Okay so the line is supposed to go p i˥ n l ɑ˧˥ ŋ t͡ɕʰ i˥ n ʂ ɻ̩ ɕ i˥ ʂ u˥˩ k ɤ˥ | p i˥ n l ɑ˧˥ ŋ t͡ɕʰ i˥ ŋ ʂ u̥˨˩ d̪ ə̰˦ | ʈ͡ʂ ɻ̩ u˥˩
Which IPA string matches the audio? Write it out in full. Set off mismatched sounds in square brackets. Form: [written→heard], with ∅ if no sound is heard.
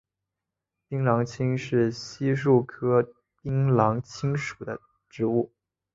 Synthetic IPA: p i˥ [n→ŋ] l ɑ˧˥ ŋ t͡ɕʰ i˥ [n→ŋ] ʂ ɻ̩ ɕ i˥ ʂ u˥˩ [k→kʰ] ɤ˥ | p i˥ [n→ŋ] l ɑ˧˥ ŋ t͡ɕʰ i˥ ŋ ʂ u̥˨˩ d̪ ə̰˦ | ʈ͡ʂ ɻ̩ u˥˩